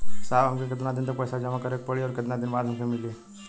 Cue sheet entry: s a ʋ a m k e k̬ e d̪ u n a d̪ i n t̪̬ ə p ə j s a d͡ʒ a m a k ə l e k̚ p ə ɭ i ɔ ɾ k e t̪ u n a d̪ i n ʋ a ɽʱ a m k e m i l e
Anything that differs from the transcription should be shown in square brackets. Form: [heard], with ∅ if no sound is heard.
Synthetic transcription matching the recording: s a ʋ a m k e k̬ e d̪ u n a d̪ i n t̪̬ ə p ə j s a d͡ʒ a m a k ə [ɾ] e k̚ p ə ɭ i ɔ ɾ k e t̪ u n a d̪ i n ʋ a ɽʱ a m k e m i l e

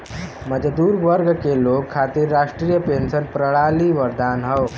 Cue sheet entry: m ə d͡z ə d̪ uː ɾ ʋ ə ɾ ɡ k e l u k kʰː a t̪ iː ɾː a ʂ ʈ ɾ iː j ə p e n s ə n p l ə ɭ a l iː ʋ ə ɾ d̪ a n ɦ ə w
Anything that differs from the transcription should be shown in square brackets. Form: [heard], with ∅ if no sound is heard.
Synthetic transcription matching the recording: m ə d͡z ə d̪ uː ɾ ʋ ə ɾ ɡ k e l [o] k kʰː a t̪ iː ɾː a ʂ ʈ ɾ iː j ə p e n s ə n p [ɾ] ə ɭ a l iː ʋ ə ɾ d̪ a n ɦ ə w

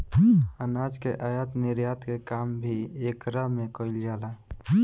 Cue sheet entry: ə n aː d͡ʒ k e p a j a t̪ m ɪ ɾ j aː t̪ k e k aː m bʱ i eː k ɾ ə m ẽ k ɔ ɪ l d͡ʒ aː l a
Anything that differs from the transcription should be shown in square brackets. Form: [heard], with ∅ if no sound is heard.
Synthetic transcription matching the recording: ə n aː d͡ʒ k e [ʔ] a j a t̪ [n] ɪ ɾ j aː t̪ k e k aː m bʱ i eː k ɾ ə m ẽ k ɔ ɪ l d͡ʒ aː l a

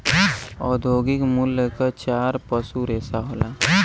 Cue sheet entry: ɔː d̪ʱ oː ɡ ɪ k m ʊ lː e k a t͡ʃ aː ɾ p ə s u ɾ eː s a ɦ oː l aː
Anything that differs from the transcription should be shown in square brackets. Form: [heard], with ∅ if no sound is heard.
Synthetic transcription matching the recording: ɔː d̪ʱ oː ɡ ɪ k m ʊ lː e k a t͡ʃ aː ɾ p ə s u ɾ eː s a ɦ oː l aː

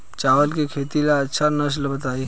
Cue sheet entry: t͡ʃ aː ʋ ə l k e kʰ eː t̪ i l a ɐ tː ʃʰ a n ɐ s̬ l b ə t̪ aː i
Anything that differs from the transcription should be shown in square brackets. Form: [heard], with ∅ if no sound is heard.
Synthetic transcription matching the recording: t͡ʃ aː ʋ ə l k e kʰ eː t̪ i l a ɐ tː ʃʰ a n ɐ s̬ l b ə t̪ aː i

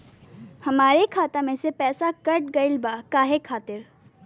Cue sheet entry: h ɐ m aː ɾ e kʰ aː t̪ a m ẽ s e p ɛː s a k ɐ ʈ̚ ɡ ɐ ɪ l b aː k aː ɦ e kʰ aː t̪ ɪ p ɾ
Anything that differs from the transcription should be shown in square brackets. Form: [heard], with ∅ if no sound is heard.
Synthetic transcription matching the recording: h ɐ m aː ɾ e kʰ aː t̪ a m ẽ s e p ɛː s a k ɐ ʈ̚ ɡ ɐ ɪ l b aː k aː ɦ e kʰ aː t̪ ɪ [∅] ɾ

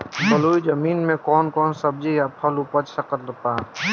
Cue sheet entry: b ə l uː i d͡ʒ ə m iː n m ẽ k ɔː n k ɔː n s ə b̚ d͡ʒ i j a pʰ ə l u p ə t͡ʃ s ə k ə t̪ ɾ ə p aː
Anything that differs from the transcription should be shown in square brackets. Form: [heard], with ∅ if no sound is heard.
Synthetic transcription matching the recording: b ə l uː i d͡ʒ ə m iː n m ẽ k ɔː n k ɔː n s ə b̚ d͡ʒ i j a pʰ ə l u p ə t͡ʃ s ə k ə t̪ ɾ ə p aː

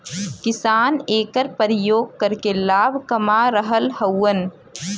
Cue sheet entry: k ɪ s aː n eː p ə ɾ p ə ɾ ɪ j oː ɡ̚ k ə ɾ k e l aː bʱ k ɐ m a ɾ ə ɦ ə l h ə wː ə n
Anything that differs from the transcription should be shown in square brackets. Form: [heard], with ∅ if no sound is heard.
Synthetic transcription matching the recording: k ɪ s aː n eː [k] ə ɾ p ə ɾ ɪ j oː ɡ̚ k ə ɾ k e l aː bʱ k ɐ m a ɾ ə ɦ ə l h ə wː ə n

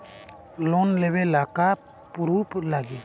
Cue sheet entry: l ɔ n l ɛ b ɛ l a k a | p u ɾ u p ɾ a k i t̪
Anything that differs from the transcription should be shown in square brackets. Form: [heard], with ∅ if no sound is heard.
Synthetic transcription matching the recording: l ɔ n l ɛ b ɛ l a k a | p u ɾ u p [l] a [ɡ] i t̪

